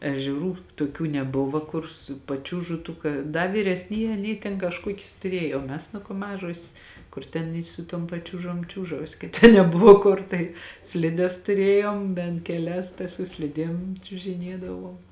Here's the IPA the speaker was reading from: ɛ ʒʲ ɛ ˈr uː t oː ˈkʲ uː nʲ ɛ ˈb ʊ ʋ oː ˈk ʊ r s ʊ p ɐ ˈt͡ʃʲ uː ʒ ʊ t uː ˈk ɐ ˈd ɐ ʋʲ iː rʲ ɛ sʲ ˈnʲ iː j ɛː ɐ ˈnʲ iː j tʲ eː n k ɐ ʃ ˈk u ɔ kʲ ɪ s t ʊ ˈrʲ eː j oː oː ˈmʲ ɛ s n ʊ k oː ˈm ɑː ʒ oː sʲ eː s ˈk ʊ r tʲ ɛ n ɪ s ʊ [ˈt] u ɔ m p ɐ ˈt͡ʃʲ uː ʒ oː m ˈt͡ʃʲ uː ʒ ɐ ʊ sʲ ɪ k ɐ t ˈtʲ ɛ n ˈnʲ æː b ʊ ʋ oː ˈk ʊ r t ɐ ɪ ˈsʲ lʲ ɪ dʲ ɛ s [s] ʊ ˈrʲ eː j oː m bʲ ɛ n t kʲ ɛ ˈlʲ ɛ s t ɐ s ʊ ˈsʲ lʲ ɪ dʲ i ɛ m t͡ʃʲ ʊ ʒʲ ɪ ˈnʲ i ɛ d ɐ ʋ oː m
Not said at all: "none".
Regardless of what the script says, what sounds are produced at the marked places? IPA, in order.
t, t

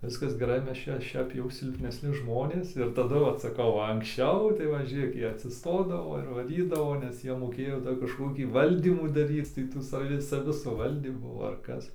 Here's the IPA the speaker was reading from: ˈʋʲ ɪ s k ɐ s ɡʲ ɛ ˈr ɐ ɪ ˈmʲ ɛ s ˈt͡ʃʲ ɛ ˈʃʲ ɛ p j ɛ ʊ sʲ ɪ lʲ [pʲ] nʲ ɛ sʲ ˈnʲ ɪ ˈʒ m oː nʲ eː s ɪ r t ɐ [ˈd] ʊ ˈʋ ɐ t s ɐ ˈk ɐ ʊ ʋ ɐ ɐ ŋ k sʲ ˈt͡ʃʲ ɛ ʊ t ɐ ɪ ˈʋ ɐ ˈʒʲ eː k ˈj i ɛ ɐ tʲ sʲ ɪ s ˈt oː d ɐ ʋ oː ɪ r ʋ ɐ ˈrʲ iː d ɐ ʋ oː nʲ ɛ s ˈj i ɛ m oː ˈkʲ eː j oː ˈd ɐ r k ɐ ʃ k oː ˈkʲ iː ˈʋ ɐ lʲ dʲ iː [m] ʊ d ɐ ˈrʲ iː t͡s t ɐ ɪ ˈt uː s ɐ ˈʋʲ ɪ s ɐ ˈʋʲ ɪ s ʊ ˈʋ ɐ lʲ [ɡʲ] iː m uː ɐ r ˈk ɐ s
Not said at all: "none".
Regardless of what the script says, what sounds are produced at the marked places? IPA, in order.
pʲ, d, m, dʲ

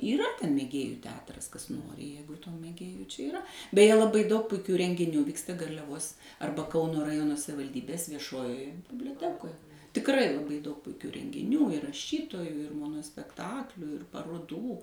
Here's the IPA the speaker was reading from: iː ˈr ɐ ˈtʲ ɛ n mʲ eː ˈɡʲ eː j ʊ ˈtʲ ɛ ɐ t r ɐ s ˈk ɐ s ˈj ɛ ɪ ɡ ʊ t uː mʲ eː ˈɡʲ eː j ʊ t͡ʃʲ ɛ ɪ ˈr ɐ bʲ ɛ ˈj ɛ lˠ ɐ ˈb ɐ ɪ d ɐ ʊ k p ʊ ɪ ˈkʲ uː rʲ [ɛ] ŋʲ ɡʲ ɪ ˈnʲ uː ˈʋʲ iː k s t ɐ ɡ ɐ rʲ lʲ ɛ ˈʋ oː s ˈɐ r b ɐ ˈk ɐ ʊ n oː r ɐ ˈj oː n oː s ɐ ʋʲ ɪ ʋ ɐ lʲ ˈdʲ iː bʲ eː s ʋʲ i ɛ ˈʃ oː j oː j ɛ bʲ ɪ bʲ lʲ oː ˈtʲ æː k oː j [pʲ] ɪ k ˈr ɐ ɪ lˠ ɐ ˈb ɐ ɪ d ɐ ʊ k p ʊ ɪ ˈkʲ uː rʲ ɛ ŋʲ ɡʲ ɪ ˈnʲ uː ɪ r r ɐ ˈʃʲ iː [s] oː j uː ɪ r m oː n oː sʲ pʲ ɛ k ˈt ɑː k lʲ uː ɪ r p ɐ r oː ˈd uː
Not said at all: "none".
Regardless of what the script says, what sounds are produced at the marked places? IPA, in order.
ɛ, tʲ, t

